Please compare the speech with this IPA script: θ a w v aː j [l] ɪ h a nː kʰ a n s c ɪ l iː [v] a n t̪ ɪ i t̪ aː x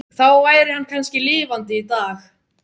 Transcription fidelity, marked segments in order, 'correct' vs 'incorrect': incorrect: ɾ, correct

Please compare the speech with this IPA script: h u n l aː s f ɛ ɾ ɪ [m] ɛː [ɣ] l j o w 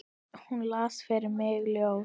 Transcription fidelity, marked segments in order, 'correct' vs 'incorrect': correct, correct

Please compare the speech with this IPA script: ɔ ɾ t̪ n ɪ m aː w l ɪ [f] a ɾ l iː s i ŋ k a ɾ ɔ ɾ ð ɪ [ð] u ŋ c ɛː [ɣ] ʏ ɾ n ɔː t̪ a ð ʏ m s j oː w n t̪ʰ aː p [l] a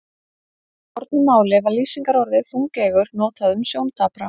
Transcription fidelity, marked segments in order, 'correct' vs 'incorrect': incorrect: v, incorrect: θ, correct, incorrect: ɾ

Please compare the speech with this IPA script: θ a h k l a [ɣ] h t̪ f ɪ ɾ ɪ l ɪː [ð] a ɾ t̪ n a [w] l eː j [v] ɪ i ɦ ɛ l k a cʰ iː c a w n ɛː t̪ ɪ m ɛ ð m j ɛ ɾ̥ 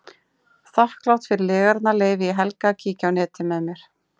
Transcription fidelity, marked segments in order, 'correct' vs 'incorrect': incorrect: w, incorrect: ɣ, incorrect: none, correct

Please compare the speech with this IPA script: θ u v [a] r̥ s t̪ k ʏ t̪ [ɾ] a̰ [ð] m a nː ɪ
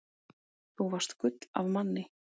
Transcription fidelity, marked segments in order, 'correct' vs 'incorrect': correct, incorrect: l, incorrect: v

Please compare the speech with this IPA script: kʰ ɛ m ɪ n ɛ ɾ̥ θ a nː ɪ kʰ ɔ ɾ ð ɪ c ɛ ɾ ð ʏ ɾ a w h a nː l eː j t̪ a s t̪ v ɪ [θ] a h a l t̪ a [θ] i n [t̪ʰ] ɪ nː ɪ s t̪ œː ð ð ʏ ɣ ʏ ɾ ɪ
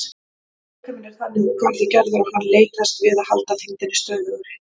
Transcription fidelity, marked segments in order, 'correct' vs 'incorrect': incorrect: ð, correct, incorrect: t̪

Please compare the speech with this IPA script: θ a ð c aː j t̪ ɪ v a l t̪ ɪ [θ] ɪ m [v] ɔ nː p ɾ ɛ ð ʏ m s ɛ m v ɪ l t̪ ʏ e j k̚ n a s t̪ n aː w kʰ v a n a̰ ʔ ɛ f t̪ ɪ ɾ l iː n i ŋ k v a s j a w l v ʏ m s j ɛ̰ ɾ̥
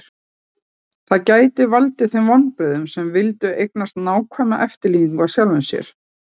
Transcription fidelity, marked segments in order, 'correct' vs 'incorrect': correct, correct

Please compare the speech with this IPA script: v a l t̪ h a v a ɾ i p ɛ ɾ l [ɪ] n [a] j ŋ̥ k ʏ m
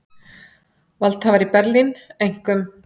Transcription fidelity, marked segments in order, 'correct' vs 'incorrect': incorrect: i, incorrect: e

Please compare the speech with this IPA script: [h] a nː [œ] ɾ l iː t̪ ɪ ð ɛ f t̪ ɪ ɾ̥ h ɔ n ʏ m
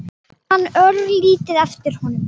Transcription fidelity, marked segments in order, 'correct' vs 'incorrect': correct, correct

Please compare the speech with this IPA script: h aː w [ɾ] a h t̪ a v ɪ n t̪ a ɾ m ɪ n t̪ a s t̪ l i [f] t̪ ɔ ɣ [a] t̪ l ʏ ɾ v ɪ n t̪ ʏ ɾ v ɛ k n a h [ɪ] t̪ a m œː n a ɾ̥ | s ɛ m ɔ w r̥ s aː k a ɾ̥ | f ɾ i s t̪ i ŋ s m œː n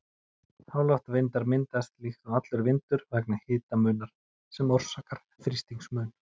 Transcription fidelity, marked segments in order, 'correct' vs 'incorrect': incorrect: l, incorrect: x, correct, incorrect: ɪː

